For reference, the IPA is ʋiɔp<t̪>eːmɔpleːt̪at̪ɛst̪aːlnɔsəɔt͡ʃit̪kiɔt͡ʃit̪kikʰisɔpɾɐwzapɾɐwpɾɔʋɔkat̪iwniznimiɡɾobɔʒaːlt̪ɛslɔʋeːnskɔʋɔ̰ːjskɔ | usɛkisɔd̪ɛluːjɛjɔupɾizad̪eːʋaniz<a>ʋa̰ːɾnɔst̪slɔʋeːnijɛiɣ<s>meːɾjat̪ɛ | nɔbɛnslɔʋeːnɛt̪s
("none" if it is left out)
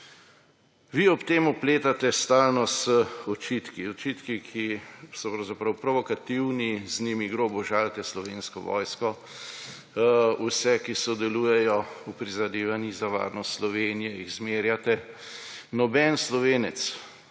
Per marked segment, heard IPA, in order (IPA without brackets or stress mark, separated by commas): t̪, a, z